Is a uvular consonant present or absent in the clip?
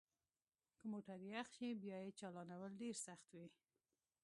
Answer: absent